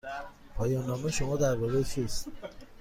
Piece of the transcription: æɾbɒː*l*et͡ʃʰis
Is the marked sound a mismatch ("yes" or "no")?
yes